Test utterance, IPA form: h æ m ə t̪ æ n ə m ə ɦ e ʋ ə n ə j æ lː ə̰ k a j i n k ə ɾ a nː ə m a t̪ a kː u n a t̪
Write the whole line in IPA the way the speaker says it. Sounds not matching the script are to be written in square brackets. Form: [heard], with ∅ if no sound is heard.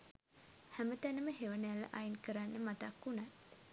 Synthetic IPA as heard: h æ m ə t̪ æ n ə m ə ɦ e ʋ ə n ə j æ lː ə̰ [ʔ] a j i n k ə ɾ a nː ə m a t̪ a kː u n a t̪